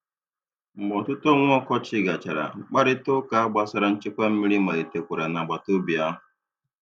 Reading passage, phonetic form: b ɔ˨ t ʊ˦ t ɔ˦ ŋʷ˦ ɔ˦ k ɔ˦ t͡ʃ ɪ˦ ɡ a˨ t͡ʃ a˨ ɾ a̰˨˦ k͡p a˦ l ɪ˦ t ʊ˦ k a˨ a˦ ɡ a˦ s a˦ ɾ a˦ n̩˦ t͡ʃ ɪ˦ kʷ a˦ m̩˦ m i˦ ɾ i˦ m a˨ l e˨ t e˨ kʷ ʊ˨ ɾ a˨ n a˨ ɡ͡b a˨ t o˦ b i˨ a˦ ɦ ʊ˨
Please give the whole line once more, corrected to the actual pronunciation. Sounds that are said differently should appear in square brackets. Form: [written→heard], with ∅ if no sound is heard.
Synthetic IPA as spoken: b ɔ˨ t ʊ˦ t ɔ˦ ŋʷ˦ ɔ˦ k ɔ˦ t͡ʃ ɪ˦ ɡ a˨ t͡ʃ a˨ ɾ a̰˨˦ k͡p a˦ [l→ɾ] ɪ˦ t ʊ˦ k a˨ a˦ [ɡ→ɡ͡b] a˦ s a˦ ɾ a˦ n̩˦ t͡ʃ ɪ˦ kʷ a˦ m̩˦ m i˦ ɾ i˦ m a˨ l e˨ t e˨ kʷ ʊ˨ ɾ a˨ n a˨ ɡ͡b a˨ t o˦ b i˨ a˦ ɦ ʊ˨

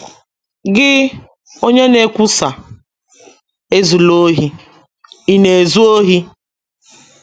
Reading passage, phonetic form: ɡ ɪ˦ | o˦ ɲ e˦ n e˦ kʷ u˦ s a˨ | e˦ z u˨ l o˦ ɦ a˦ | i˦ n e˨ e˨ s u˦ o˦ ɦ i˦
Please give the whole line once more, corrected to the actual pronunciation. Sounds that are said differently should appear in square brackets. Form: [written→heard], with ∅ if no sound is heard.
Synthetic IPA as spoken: ɡ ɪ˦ | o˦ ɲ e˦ n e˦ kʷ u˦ s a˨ | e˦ z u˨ l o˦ ɦ [a˦→i˦] | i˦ n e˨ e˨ [s→z] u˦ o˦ ɦ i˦

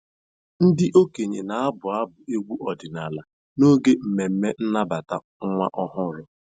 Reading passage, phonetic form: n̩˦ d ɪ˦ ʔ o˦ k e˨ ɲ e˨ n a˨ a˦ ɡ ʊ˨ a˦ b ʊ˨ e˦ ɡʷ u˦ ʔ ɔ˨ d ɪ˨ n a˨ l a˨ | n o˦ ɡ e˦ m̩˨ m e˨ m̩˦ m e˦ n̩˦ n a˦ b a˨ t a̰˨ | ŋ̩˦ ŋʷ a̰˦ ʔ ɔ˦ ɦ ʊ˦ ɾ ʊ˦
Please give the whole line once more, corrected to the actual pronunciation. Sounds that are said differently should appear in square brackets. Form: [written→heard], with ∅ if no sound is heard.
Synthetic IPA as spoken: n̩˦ d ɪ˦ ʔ o˦ k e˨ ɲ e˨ n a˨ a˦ [ɡ→b] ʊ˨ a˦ b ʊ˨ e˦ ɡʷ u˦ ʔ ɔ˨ d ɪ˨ n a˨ l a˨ | n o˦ ɡ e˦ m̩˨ m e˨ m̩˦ m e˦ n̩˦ n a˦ b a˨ t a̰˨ | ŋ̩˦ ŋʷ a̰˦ ʔ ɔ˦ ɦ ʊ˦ ɾ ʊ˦

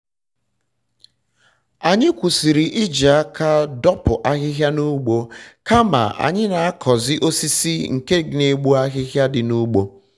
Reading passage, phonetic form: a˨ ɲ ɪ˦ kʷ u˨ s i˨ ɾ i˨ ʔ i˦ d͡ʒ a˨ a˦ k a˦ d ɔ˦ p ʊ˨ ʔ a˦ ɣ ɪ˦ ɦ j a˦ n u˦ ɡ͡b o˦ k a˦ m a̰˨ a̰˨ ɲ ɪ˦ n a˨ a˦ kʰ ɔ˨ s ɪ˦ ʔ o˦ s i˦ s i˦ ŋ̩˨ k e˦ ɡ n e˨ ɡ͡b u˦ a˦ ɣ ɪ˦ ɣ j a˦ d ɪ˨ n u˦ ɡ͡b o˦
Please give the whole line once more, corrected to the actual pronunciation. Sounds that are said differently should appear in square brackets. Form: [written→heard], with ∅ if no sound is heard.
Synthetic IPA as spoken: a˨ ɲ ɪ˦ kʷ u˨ s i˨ ɾ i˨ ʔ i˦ d͡ʒ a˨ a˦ k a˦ d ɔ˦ p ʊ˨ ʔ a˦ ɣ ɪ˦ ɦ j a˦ n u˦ ɡ͡b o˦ k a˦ m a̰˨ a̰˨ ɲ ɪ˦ n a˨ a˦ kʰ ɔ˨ [s→z] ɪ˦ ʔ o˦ s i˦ s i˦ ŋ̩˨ k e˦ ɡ n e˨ ɡ͡b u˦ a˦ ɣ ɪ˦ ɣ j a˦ d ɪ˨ n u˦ ɡ͡b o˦

